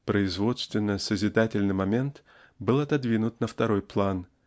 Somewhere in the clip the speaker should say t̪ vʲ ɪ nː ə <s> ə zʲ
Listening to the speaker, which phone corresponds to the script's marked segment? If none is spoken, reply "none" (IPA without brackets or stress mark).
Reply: s